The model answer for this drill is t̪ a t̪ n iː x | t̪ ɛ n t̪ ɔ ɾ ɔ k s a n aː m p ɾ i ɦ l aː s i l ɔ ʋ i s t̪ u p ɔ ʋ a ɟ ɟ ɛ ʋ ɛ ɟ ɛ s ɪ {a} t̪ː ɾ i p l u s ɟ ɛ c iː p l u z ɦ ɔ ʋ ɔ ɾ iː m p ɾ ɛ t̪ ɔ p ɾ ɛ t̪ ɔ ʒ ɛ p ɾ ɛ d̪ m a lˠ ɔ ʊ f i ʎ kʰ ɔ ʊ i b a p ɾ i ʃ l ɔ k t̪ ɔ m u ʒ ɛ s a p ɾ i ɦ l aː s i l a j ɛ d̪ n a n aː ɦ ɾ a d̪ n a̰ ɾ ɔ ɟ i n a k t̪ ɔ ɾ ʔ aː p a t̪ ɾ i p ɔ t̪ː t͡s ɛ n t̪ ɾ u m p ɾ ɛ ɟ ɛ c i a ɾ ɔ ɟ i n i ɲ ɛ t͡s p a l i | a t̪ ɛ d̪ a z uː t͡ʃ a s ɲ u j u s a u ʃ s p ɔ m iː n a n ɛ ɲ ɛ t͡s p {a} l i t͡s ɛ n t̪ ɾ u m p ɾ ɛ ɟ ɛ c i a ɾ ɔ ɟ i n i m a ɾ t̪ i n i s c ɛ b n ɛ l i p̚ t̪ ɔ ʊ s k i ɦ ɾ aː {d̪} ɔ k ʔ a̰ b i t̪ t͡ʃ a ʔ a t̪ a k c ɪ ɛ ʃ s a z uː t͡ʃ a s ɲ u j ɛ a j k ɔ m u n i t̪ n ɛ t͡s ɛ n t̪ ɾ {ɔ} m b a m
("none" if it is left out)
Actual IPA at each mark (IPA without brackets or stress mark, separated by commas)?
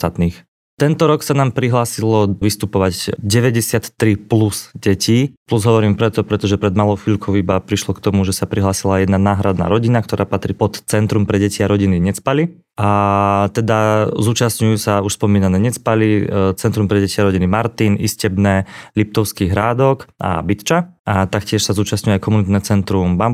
a, a, d̪, u